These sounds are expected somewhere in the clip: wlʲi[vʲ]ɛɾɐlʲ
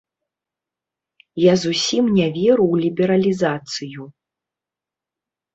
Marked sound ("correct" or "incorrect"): incorrect